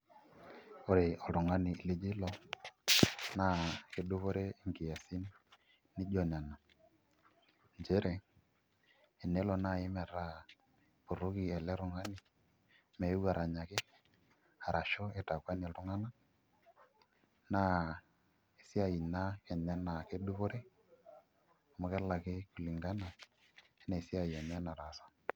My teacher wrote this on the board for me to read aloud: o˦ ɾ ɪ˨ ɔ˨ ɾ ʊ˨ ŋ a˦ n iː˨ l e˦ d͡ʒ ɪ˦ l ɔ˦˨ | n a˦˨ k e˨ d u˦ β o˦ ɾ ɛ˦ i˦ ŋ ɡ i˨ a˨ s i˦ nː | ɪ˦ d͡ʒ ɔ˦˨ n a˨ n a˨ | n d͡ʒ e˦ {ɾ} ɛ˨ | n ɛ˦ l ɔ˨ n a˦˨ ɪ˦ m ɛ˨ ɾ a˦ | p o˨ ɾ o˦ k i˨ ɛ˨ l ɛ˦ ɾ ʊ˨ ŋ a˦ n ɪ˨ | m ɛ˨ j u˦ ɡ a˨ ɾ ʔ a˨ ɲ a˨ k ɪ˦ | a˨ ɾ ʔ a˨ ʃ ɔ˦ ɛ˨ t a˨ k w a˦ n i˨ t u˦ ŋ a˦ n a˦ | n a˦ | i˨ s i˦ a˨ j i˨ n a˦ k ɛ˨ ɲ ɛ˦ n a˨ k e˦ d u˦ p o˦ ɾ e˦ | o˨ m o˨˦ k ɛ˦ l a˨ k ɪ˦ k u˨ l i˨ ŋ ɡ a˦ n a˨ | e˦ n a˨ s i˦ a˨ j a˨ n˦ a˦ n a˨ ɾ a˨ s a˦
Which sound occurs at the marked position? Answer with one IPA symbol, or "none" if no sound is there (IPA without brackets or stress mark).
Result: ɾ